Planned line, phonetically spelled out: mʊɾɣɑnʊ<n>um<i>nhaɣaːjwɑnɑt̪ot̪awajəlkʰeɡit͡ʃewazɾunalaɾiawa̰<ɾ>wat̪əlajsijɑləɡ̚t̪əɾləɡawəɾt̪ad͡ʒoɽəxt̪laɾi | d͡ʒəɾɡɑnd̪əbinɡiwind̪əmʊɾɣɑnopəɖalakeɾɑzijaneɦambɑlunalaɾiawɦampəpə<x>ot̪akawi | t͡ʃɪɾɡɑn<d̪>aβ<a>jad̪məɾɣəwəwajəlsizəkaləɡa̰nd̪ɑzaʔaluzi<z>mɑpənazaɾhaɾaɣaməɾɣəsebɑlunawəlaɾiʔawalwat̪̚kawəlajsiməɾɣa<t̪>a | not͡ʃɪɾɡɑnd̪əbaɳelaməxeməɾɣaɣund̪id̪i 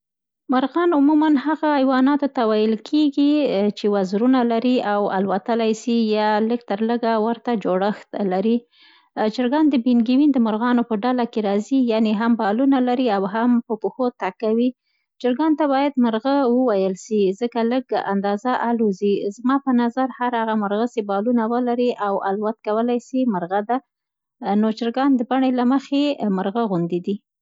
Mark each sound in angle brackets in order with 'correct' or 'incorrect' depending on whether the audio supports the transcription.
incorrect: m, incorrect: a, incorrect: l, correct, incorrect: t̪, incorrect: ɑ, correct, incorrect: d̪

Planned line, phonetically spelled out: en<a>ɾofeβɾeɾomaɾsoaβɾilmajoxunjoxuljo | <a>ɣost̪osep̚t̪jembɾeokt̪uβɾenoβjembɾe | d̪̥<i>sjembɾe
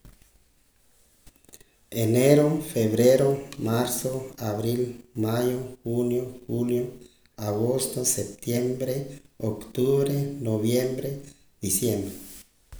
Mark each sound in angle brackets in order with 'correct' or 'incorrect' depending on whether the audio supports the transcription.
incorrect: e, correct, correct

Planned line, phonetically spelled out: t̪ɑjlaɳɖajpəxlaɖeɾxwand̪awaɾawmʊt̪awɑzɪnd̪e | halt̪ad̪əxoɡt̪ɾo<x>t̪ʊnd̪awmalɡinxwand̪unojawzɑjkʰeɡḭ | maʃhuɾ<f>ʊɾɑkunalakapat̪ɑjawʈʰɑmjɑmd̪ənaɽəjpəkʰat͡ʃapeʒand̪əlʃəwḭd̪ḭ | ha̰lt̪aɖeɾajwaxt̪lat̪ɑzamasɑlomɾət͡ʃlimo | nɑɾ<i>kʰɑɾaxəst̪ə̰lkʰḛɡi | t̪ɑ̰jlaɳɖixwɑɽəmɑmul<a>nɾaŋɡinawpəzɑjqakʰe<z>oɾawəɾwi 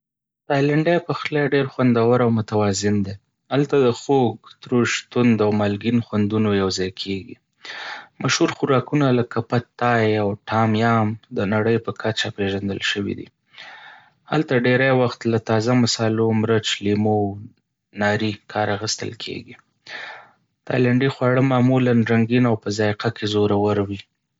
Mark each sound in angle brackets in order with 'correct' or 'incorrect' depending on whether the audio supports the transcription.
incorrect: ʃ, incorrect: x, correct, correct, correct

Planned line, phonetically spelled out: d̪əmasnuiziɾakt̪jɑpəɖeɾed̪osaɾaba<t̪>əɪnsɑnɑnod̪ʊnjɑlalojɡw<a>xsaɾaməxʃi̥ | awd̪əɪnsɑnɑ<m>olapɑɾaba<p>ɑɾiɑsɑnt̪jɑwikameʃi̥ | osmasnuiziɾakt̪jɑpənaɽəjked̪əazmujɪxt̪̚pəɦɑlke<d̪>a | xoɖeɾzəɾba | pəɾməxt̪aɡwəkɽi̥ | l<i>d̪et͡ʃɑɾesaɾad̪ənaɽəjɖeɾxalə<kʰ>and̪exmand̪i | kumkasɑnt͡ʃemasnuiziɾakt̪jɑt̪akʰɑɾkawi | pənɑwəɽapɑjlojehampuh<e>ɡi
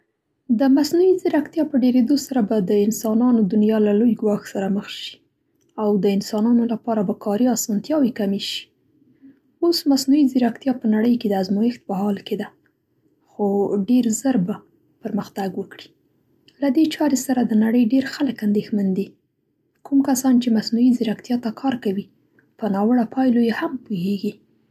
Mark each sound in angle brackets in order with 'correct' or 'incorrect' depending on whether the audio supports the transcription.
incorrect: d̪, incorrect: ɑ, incorrect: n, incorrect: k, correct, incorrect: a, incorrect: k, correct

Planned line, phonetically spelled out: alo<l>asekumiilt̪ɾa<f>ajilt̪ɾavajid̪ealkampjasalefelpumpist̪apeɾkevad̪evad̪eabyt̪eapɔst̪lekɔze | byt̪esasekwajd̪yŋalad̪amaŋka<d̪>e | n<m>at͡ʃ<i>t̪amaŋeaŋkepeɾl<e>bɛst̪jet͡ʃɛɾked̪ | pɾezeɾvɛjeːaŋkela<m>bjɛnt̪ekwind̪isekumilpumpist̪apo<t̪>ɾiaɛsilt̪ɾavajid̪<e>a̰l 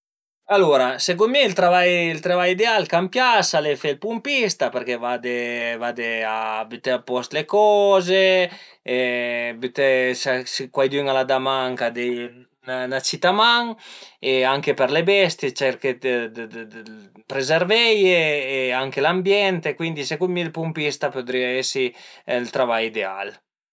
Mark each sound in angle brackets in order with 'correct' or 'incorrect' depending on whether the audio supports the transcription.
incorrect: ɾ, incorrect: v, correct, incorrect: n, correct, correct, correct, incorrect: d̪, correct

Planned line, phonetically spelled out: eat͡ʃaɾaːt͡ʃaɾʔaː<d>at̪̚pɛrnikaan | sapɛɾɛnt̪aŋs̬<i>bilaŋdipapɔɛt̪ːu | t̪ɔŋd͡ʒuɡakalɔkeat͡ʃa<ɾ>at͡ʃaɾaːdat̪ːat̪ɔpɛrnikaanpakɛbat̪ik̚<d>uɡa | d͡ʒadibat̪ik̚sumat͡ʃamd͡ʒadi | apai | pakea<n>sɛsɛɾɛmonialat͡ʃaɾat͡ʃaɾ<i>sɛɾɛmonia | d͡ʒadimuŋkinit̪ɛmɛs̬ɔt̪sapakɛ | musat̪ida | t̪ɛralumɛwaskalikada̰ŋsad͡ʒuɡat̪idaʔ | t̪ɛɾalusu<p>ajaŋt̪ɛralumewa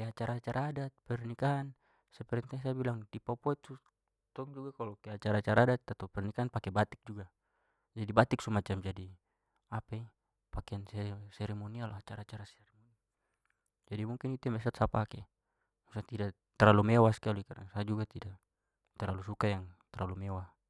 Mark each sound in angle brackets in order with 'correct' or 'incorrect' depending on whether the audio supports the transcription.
correct, incorrect: a, correct, incorrect: d͡ʒ, correct, incorrect: a, incorrect: k

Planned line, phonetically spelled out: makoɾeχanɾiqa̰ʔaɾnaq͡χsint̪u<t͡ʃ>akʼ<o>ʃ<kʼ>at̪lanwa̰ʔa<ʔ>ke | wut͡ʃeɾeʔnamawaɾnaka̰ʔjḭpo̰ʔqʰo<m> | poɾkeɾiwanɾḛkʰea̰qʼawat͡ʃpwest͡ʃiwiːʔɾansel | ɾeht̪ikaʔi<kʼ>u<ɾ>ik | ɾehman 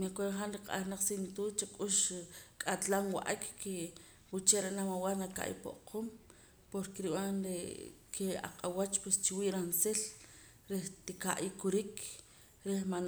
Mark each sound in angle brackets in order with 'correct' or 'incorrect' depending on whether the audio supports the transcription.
correct, incorrect: u, correct, incorrect: k, correct, incorrect: k, correct

